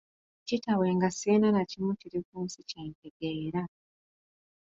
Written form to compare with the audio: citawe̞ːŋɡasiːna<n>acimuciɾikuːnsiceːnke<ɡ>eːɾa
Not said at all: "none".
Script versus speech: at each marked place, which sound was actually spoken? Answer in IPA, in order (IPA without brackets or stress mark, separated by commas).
n, ɡ